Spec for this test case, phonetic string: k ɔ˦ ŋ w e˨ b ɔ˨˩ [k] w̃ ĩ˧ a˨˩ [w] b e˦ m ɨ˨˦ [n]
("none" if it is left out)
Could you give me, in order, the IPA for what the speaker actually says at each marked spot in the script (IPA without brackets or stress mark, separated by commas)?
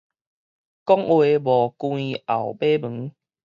k, w, ŋ